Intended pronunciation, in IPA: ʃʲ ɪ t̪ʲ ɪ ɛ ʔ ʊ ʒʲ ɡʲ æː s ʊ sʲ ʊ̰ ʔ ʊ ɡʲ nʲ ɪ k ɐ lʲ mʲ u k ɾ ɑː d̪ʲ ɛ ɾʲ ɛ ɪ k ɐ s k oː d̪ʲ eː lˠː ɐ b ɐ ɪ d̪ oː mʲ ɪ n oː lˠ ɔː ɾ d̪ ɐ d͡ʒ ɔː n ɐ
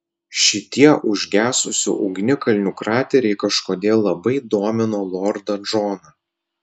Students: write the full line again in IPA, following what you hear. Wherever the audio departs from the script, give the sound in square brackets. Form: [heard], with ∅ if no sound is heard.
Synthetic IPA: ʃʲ ɪ t̪ʲ [i] ɛ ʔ ʊ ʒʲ ɡʲ æː s ʊ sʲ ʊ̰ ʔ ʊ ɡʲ nʲ ɪ k ɐ lʲ [nʲ] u k ɾ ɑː [t̪ʲ] ɛ ɾʲ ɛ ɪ k ɐ [ʃ] k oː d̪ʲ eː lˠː ɐ b ɐ ɪ d̪ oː mʲ ɪ n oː lˠ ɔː ɾ d̪ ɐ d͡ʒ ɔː n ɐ

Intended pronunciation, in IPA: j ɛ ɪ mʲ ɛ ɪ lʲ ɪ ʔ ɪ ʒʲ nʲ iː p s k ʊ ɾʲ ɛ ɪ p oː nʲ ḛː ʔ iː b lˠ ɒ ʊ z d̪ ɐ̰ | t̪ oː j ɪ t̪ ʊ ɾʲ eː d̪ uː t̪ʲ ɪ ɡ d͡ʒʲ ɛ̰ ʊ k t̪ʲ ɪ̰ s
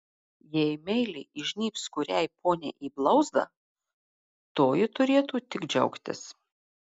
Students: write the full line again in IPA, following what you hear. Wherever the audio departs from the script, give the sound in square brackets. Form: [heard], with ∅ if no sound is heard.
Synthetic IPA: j ɛ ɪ mʲ ɛ ɪ lʲ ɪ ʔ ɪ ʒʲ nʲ iː p s k ʊ ɾʲ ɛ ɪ p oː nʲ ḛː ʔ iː b lˠ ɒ ʊ z d̪ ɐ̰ | t̪ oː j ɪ t̪ ʊ ɾʲ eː [t̪] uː t̪ʲ ɪ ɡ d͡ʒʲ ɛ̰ ʊ k t̪ʲ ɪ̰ s

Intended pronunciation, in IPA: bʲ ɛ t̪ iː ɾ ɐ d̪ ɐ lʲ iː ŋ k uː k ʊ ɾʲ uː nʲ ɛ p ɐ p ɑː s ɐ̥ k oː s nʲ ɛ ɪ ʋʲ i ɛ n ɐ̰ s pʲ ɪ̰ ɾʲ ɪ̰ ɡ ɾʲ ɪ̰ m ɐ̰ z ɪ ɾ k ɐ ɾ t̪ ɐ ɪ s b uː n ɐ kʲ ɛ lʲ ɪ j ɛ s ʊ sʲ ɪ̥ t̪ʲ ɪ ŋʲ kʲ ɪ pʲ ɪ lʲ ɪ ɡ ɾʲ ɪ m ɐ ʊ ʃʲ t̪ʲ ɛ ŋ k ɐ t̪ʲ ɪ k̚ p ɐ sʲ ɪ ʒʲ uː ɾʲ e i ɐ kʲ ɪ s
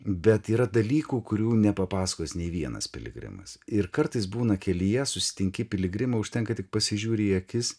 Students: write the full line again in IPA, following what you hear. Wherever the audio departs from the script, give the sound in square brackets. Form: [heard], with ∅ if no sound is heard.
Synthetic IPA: bʲ ɛ t̪ iː ɾ ɐ d̪ ɐ lʲ iː [∅] k uː k ʊ ɾʲ uː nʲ ɛ p ɐ p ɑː s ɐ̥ k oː s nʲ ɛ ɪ ʋʲ i ɛ n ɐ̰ s pʲ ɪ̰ [lʲ] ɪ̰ ɡ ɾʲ ɪ̰ m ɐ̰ [s] ɪ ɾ k ɐ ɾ t̪ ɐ ɪ s b uː n ɐ kʲ ɛ lʲ ɪ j ɛ s ʊ sʲ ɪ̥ t̪ʲ ɪ ŋʲ kʲ ɪ pʲ ɪ lʲ ɪ ɡ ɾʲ ɪ m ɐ ʊ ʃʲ t̪ʲ ɛ ŋ k ɐ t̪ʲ ɪ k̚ p ɐ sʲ ɪ ʒʲ uː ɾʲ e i ɐ kʲ ɪ s

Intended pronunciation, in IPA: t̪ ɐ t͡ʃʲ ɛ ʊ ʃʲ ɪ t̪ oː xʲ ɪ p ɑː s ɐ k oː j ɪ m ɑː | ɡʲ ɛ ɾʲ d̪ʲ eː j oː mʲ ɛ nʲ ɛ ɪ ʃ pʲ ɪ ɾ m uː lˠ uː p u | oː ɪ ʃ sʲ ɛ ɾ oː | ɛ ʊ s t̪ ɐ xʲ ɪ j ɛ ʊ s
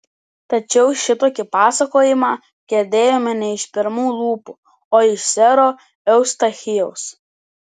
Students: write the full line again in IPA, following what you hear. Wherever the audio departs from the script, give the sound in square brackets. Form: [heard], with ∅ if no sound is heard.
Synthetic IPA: t̪ ɐ t͡ʃʲ ɛ ʊ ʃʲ ɪ t̪ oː [kʲ] ɪ p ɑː s ɐ k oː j ɪ m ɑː | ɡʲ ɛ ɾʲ d̪ʲ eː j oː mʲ ɛ nʲ ɛ ɪ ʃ pʲ ɪ ɾ m uː lˠ uː p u | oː ɪ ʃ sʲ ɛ ɾ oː | ɛ ʊ s t̪ ɐ xʲ ɪ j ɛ ʊ s

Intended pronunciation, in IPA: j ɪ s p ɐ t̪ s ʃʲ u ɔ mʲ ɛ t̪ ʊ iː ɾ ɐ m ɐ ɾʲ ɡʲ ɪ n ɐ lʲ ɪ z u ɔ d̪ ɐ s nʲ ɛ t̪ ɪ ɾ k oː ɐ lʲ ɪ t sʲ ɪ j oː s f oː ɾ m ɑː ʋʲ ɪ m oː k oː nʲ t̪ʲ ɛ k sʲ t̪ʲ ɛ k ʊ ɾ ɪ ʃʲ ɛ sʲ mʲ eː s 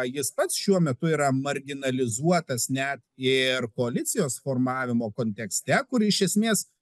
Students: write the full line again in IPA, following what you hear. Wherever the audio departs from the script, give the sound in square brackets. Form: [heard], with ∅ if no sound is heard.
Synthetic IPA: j ɪ s p ɐ t̪ s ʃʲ u ɔ mʲ ɛ t̪ ʊ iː ɾ ɐ m ɐ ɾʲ ɡʲ ɪ n ɐ lʲ ɪ z u ɔ [t̪] ɐ s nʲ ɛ t̪ ɪ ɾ k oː ɐ lʲ ɪ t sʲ ɪ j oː s f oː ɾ m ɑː ʋʲ ɪ m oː k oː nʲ t̪ʲ ɛ k sʲ t̪ʲ ɛ k ʊ ɾ ɪ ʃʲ ɛ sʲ mʲ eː s

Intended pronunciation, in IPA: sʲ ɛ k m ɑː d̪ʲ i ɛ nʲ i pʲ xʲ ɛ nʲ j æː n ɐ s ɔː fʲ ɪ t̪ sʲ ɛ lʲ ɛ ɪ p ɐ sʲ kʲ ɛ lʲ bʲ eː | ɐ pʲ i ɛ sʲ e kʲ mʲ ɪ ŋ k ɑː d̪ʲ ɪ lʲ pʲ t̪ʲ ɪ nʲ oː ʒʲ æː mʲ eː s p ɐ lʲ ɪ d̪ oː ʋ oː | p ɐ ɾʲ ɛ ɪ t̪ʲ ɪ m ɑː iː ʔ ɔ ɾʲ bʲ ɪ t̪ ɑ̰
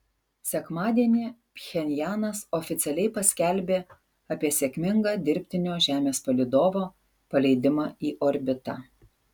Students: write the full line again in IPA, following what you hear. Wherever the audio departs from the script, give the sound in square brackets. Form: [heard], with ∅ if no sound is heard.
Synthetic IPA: sʲ ɛ k m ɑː d̪ʲ i ɛ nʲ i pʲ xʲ ɛ nʲ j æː n ɐ s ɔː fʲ ɪ t̪ sʲ ɛ lʲ ɛ ɪ p ɐ sʲ kʲ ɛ lʲ bʲ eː | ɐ pʲ i ɛ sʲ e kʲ mʲ ɪ ŋ [ɡ] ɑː d̪ʲ ɪ [ɾʲ] pʲ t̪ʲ ɪ nʲ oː ʒʲ æː mʲ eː s p ɐ lʲ ɪ d̪ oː ʋ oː | p ɐ [lʲ] ɛ ɪ [d̪ʲ] ɪ m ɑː iː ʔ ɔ ɾʲ bʲ ɪ t̪ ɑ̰

